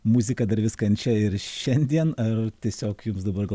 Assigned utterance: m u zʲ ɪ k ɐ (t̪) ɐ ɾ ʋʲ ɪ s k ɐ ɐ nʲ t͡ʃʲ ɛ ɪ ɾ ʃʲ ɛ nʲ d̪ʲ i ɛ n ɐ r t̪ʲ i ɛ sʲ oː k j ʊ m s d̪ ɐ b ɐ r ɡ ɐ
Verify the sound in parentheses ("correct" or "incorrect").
incorrect